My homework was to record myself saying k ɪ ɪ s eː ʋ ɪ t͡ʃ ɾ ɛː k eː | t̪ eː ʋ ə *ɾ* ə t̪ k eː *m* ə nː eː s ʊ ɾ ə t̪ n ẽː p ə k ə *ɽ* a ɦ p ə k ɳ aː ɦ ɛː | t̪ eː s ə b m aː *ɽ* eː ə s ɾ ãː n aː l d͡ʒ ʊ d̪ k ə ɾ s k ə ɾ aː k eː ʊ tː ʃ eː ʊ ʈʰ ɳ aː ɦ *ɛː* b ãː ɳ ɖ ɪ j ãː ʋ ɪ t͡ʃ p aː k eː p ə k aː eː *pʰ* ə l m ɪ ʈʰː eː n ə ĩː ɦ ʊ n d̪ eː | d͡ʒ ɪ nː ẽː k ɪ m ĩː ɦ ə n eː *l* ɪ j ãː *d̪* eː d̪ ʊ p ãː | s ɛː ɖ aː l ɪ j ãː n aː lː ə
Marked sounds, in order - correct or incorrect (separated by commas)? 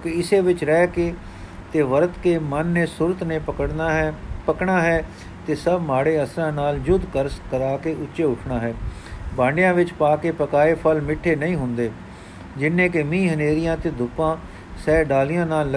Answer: correct, correct, correct, correct, correct, correct, incorrect, incorrect